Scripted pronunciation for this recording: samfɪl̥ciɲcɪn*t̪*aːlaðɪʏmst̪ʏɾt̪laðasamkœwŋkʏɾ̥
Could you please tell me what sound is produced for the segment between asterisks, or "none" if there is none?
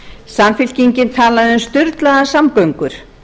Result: t̪ʰ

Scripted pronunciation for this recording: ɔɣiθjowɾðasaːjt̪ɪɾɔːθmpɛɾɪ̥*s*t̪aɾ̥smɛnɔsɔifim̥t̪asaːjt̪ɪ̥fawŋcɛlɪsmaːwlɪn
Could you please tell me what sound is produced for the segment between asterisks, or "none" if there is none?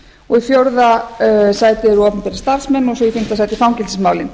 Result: s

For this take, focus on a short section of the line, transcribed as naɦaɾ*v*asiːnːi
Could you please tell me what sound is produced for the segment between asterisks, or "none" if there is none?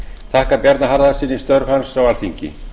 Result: ð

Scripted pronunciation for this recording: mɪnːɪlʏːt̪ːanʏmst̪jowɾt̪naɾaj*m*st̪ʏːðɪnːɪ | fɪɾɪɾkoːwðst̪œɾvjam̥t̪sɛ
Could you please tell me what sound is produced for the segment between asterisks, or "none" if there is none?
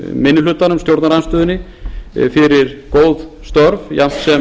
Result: n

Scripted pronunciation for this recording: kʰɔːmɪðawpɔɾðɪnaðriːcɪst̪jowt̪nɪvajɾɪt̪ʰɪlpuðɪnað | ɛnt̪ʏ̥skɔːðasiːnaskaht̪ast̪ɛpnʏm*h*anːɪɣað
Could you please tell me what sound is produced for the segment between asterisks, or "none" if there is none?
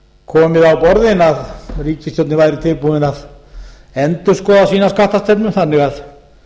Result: θ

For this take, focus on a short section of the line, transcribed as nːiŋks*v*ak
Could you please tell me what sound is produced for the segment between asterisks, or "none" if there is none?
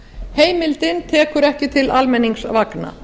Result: v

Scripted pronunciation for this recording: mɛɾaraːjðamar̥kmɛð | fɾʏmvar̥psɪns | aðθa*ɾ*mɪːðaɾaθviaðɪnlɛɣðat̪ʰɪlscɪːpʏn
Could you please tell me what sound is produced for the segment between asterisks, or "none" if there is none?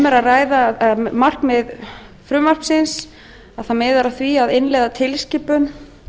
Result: none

